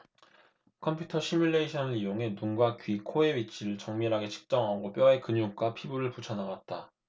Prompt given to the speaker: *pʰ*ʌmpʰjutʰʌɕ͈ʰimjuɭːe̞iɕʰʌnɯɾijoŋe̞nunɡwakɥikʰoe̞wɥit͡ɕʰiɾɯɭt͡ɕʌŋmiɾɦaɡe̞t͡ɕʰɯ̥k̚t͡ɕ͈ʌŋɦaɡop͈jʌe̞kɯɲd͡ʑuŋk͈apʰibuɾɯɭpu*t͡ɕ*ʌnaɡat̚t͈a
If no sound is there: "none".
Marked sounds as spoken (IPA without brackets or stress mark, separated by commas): kʰ, t͡ɕʰ